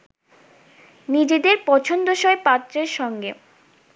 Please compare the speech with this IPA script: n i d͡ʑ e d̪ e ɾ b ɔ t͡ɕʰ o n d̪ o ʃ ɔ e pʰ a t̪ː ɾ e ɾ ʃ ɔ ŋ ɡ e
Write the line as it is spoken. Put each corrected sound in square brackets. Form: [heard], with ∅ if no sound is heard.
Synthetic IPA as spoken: n i d͡ʑ e d̪ e ɾ [p] ɔ t͡ɕʰ o n d̪ o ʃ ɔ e [p] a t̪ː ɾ e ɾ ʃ ɔ ŋ ɡ e